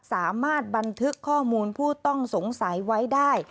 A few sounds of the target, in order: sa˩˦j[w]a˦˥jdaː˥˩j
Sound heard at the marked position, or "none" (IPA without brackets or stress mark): w